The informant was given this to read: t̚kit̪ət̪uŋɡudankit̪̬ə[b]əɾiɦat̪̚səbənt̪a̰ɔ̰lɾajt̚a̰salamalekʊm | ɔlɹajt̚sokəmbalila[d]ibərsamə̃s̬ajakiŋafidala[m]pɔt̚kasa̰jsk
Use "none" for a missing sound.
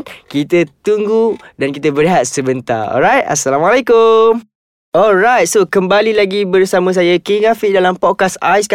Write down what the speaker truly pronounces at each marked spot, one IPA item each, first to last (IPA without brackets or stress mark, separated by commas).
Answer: b, ɡ, m